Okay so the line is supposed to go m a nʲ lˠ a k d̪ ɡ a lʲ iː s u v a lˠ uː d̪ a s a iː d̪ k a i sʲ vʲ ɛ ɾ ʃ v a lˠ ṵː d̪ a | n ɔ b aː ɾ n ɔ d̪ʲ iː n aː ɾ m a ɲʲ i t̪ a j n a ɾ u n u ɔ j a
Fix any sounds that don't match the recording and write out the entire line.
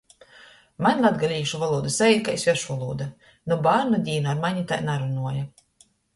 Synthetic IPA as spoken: m a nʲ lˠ a d̪ ɡ a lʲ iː ʃ u v a lˠ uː d̪ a s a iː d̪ k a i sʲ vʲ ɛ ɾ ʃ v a lˠ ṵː d̪ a | n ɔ b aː ɾ n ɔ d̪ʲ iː n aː ɾ m a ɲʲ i t̪ a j n a ɾ u n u ɔ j a